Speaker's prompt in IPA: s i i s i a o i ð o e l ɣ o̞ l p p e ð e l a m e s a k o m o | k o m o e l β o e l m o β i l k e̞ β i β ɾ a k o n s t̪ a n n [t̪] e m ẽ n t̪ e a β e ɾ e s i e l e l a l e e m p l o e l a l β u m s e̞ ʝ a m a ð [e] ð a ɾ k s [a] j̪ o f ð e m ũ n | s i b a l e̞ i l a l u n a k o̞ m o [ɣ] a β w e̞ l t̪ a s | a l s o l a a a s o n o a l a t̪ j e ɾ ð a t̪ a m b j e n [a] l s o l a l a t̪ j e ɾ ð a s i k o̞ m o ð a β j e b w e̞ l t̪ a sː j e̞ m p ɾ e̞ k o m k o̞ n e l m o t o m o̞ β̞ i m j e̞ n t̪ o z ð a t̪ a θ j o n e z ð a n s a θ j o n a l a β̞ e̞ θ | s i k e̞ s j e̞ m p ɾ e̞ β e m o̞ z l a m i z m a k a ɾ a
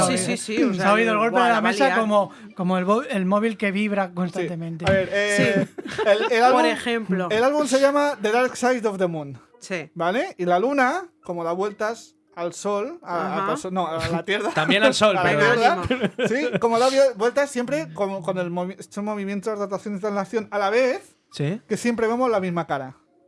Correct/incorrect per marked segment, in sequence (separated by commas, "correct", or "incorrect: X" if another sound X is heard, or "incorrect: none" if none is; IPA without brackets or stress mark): correct, correct, correct, incorrect: ð, correct